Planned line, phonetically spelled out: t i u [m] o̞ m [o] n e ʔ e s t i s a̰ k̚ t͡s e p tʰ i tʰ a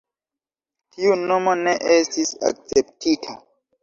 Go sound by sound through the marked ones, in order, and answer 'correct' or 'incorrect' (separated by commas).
incorrect, correct